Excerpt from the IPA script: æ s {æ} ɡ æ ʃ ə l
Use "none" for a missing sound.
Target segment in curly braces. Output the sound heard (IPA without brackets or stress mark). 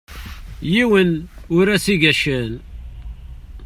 i